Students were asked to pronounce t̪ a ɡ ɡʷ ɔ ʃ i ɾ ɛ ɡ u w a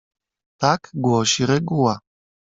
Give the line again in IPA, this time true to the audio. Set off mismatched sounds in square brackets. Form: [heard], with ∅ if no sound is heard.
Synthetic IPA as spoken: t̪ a [k] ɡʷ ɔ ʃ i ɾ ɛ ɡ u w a